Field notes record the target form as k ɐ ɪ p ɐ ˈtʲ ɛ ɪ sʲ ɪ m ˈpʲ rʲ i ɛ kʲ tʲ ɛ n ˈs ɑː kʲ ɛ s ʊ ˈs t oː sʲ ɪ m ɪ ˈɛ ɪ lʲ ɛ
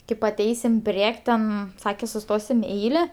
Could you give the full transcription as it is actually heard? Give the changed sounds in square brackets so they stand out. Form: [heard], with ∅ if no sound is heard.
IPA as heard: k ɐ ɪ p ɐ ˈtʲ ɛ ɪ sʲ ɪ m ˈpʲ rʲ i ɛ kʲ tʲ ɛ n ˈs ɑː kʲ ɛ s ʊ ˈs t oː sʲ ɪ m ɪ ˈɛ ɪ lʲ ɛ

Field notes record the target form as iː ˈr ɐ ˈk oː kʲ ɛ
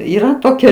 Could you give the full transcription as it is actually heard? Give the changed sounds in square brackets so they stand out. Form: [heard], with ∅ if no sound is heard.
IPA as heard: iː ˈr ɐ [ˈt] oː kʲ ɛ

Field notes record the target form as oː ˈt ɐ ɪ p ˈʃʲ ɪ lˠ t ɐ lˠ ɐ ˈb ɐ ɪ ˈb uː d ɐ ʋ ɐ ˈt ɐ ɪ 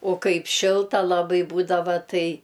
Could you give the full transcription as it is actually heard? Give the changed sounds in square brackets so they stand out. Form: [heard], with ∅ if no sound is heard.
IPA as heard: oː [ˈk] ɐ ɪ p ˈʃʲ ɪ lˠ t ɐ lˠ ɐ ˈb ɐ ɪ ˈb uː d ɐ ʋ ɐ ˈt ɐ ɪ

